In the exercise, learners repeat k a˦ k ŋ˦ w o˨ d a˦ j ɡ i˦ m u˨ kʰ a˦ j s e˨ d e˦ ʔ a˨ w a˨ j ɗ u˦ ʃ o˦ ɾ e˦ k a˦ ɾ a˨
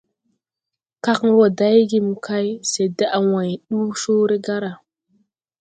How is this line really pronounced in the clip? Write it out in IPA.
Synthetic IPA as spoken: k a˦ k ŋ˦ w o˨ d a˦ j ɡ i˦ m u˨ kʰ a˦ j s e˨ d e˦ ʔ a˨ w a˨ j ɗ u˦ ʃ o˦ ɾ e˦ ɡ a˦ ɾ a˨